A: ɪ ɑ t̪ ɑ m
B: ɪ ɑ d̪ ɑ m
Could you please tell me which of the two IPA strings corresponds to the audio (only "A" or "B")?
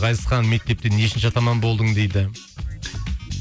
A